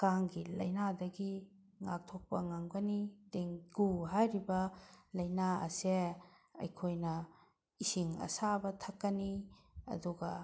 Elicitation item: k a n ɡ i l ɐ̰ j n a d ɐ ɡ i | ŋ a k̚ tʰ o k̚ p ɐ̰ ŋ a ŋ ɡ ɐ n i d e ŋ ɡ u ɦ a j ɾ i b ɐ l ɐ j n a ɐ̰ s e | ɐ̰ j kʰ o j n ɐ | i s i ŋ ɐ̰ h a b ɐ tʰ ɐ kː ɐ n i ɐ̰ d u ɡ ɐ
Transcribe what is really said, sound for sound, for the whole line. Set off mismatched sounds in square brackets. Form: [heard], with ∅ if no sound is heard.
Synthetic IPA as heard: k a [ŋ] ɡ i l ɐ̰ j n a d ɐ ɡ i | ŋ a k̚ tʰ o k̚ p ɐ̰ ŋ a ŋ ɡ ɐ n i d e ŋ ɡ u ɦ a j ɾ i b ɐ l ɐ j n a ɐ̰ s e | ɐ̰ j kʰ o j n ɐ | i s i ŋ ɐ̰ [s] a b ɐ tʰ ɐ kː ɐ n i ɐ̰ d u ɡ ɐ